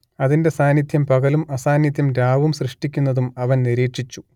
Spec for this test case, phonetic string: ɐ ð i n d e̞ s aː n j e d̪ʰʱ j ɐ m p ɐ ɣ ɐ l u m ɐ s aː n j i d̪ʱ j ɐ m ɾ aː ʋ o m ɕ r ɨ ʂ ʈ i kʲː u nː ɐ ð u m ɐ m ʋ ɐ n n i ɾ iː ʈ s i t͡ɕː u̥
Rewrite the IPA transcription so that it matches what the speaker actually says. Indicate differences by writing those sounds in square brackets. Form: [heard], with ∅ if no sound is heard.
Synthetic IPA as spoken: ɐ ð i n d e̞ s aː n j [i] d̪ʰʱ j ɐ m p ɐ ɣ ɐ l u m ɐ s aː n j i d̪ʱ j ɐ m ɾ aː ʋ [u] m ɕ r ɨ ʂ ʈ i kʲː u nː ɐ ð u m ɐ [∅] ʋ ɐ n n i ɾ iː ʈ [ʂ] i t͡ɕː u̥